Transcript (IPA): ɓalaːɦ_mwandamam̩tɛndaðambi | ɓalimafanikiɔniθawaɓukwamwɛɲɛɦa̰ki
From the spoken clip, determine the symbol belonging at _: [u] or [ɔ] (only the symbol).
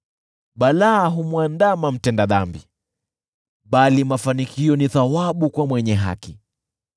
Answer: u